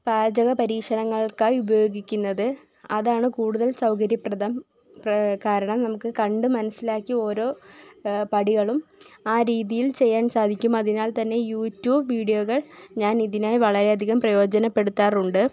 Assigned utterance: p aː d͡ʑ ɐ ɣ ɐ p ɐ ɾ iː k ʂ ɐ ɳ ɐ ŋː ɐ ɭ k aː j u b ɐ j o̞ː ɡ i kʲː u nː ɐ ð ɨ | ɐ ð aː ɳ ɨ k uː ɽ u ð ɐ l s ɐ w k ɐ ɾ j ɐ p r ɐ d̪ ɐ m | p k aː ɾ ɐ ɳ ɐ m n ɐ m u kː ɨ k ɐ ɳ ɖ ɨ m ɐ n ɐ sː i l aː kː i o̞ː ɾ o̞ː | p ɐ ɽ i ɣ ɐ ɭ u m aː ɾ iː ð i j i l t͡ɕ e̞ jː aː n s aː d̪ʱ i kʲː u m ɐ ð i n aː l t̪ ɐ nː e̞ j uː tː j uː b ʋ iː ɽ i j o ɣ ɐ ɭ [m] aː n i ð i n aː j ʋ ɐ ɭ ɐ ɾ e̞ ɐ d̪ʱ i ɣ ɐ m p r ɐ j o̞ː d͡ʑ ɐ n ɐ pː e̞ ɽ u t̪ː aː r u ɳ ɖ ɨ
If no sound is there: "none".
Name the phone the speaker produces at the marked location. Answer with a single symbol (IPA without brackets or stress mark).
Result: ɲ